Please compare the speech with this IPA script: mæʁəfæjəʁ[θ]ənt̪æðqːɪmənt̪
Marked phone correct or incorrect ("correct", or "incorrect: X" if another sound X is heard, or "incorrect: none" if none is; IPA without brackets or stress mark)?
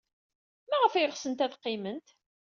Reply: incorrect: s